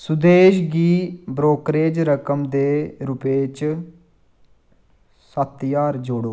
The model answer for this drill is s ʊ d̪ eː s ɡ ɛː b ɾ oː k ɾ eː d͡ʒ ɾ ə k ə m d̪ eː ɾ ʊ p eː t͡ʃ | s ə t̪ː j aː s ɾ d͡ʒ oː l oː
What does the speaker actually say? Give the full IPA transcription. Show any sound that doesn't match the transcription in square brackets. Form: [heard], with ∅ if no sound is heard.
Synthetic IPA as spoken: s ʊ d̪ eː [ʃ] ɡ [iː] b ɾ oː k ɾ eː d͡ʒ ɾ ə k ə m d̪ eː ɾ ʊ p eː t͡ʃ | s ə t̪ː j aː [∅] ɾ d͡ʒ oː [ɽ] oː